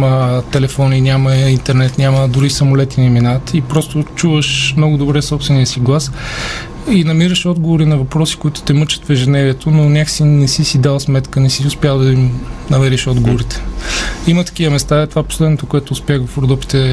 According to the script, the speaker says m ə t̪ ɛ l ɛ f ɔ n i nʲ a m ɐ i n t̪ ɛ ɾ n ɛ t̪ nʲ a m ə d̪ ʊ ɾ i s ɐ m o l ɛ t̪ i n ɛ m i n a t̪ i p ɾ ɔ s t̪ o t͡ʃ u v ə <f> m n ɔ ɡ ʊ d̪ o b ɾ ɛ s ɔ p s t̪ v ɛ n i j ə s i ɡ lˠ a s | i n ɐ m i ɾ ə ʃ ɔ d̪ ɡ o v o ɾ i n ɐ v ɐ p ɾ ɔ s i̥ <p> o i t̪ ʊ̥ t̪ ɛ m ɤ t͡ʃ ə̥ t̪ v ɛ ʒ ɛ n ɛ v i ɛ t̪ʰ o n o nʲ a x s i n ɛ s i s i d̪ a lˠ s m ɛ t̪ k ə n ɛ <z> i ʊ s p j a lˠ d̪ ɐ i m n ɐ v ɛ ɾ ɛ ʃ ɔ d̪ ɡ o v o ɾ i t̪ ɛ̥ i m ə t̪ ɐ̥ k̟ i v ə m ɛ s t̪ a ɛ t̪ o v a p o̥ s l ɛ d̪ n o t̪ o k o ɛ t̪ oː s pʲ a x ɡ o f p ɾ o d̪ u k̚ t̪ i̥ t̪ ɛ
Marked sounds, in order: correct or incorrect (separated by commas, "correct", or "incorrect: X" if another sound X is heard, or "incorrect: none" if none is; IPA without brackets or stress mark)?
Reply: incorrect: ʃ, incorrect: k, incorrect: s